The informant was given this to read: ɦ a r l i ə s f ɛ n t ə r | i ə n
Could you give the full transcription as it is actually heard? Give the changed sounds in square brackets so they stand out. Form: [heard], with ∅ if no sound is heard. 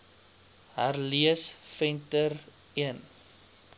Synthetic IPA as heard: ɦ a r l i ə s f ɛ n t ə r | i ə n